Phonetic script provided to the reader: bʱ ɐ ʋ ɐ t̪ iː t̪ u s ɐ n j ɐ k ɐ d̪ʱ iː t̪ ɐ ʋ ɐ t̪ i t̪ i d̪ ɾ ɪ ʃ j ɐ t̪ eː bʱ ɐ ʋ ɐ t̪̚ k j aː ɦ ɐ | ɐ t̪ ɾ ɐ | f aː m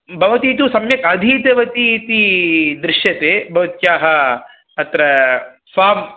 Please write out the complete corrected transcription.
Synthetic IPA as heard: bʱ ɐ ʋ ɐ t̪ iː t̪ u s ɐ m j ɐ k ɐ d̪ʱ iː t̪ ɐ ʋ ɐ t̪ i t̪ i d̪ ɾ ɪ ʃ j ɐ t̪ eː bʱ ɐ ʋ ɐ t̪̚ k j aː ɦ ɐ | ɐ t̪ ɾ ɐ | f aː m